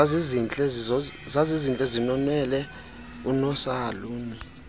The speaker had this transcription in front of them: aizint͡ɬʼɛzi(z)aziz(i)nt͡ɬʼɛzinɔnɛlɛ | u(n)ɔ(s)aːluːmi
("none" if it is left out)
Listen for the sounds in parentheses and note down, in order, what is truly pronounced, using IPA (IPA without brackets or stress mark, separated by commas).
z, i, n, s